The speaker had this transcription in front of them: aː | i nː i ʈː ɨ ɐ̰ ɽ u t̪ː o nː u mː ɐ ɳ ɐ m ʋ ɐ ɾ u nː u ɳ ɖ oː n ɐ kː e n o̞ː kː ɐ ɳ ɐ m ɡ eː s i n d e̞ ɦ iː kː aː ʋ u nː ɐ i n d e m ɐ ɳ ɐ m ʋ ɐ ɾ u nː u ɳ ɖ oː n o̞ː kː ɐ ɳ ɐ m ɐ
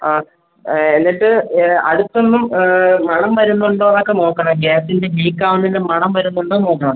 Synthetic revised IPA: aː | e nː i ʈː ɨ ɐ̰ ɽ u t̪ː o nː u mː ɐ ɳ ɐ m ʋ ɐ ɾ u nː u ɳ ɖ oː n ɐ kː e n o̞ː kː ɐ ɳ ɐ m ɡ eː s i n d e̞ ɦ iː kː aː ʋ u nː ɐ i n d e m ɐ ɳ ɐ m ʋ ɐ ɾ u nː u ɳ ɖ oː n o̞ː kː ɐ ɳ ɐ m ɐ